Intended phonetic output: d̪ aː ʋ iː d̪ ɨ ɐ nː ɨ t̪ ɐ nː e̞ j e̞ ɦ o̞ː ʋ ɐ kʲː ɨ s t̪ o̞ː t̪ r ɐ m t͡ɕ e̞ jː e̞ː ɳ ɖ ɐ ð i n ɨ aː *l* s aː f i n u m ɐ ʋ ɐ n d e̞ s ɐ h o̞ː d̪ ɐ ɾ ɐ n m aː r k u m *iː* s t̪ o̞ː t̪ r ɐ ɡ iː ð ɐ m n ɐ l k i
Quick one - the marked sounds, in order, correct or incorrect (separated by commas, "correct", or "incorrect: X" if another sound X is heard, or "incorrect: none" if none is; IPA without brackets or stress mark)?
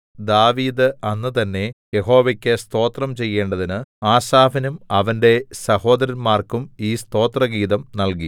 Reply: incorrect: none, correct